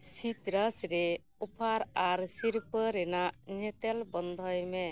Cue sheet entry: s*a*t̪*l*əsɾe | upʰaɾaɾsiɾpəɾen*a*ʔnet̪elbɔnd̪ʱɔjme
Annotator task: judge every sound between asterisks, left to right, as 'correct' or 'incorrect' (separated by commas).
incorrect, incorrect, correct